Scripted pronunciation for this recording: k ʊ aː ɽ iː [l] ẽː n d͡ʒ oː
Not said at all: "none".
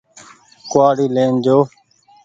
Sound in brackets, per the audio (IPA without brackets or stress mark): l